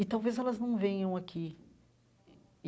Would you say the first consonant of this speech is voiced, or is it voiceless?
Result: voiceless